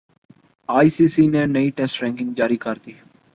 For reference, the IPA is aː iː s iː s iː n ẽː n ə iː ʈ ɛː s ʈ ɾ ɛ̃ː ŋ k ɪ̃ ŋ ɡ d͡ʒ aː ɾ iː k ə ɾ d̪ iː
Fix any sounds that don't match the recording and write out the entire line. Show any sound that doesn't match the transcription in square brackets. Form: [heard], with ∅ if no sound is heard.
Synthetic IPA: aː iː s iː s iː n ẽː n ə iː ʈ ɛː s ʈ ɾ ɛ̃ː ŋ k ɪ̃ ŋ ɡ d͡ʒ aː ɾ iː k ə ɾ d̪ iː